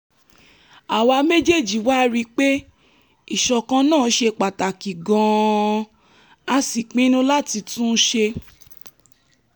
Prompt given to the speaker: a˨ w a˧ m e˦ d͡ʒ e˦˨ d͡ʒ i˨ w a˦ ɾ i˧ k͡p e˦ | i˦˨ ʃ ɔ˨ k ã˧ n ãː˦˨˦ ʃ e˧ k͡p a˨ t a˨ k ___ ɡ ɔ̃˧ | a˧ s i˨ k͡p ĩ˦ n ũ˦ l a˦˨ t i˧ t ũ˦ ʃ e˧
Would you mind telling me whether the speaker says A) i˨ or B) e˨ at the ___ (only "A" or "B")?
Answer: A